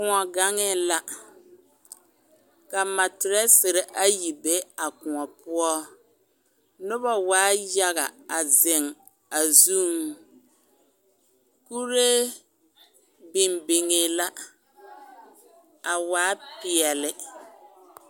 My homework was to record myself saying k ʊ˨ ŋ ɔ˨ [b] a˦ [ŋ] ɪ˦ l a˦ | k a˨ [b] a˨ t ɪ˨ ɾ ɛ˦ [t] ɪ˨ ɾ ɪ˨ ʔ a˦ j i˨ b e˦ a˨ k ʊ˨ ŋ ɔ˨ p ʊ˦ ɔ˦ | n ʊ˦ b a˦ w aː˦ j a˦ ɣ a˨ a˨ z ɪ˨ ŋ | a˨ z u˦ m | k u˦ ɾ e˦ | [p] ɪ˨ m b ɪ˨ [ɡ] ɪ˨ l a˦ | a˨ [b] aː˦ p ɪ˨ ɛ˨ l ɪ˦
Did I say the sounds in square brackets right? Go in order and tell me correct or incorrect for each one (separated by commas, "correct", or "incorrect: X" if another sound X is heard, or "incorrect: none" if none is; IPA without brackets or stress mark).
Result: incorrect: ɡ, correct, incorrect: m, incorrect: s, incorrect: b, incorrect: ŋ, incorrect: w